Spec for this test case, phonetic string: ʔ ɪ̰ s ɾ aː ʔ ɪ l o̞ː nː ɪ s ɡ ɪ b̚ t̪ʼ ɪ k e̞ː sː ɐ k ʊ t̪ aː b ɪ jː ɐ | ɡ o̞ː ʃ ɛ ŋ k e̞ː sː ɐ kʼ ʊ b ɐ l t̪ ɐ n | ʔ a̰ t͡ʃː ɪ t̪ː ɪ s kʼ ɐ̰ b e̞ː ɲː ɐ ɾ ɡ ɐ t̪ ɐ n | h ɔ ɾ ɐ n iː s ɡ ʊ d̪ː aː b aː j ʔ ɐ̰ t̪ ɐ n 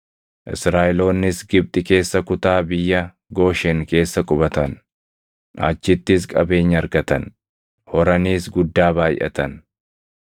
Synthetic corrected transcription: ʔ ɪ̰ s ɾ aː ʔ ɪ l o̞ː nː ɪ s ɡ ɪ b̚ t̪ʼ ɪ k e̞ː sː ɐ k ʊ t̪ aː b ɪ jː ɐ | ɡ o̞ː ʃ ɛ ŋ k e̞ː sː ɐ kʼ ʊ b ɐ t̪ ɐ n | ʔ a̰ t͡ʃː ɪ t̪ː ɪ s kʼ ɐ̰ b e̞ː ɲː ɐ ɾ ɡ ɐ t̪ ɐ n | h ɔ ɾ ɐ n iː s ɡ ʊ d̪ː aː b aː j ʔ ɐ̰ t̪ ɐ n